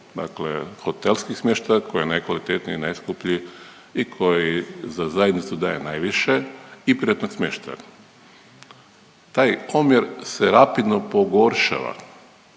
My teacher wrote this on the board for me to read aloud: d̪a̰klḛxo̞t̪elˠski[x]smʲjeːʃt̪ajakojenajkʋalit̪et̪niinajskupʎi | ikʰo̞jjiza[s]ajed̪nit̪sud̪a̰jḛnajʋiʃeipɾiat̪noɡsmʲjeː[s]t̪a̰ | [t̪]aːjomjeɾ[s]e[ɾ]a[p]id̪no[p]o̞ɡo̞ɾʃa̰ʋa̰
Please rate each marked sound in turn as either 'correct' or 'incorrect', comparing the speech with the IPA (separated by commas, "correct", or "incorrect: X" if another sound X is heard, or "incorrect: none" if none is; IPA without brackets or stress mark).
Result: correct, incorrect: z, incorrect: ʃ, correct, correct, correct, correct, correct